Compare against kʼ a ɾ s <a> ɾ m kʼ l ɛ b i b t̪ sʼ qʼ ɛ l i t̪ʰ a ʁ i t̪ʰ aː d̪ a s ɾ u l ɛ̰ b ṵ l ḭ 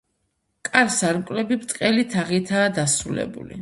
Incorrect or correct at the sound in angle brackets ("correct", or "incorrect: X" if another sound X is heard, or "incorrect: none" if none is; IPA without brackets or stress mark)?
correct